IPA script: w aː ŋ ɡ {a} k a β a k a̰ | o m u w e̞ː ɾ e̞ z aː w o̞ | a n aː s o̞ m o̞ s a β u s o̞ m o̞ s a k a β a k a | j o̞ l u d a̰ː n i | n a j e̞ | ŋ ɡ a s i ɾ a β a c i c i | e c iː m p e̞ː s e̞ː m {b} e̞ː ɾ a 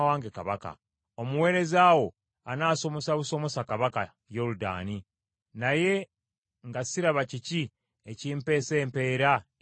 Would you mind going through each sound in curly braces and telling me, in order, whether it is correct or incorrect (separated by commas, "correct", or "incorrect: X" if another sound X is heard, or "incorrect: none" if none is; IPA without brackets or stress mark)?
incorrect: e, incorrect: p